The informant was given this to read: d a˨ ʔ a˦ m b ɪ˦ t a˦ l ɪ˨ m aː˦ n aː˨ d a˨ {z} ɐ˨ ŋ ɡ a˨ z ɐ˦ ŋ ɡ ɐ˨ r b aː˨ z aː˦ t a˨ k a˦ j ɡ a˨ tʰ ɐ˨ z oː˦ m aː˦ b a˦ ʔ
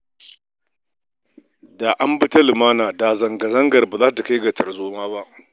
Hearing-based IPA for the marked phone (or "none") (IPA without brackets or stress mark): z